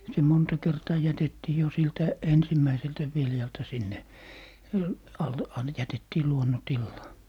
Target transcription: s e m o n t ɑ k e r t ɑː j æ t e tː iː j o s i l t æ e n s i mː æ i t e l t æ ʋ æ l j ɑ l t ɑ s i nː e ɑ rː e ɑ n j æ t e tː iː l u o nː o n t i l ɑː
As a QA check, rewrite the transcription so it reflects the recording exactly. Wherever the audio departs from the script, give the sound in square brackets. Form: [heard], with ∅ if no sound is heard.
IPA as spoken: s e m o n t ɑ k e r t ɑː j æ t e tː iː j o s i l t æ e n s i mː æ i [s] e l t æ ʋ [i] l j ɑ l t ɑ s i nː e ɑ [lː] e ɑ n j æ t e tː iː l u o nː o n t i [lː] ɑː